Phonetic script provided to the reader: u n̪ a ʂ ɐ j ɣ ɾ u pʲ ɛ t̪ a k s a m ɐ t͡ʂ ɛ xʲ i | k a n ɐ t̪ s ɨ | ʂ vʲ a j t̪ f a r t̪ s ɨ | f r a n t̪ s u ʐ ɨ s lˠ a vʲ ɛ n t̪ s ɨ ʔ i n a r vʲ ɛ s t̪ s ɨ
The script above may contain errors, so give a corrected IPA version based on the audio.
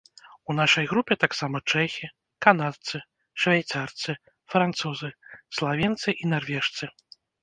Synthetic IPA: u n̪ a ʂ ɐ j ɣ ɾ u pʲ ɛ t̪ a k s a m ɐ t͡ʂ ɛ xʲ i | k a n a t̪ s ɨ | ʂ vʲ a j t̪ s a r t̪ s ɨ | f ɾ a n t̪ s u z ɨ s lˠ a vʲ ɛ n t̪ s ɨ ʔ i n a r vʲ ɛ ʂ t̪ s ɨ